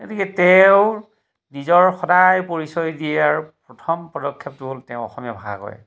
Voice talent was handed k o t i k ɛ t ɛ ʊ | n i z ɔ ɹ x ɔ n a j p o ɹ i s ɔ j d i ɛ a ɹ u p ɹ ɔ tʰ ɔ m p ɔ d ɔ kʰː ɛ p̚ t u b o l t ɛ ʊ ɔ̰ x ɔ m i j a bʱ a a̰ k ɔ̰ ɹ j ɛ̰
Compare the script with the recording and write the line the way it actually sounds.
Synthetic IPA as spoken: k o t i k ɛ t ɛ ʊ | n i z ɔ ɹ x ɔ d a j p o ɹ i s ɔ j d i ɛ a ɹ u p ɹ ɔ tʰ ɔ m p ɔ d ɔ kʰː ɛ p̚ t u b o l t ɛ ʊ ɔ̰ x ɔ m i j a bʱ a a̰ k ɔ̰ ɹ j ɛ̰